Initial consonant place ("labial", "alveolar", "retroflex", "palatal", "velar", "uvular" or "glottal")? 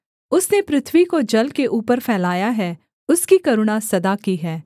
alveolar